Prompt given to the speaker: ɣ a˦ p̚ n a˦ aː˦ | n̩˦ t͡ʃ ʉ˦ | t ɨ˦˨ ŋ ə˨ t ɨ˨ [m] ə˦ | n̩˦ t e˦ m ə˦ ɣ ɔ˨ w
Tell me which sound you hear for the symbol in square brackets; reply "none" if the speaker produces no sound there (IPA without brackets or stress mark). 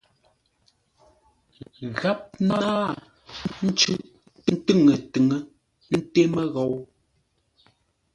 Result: ŋ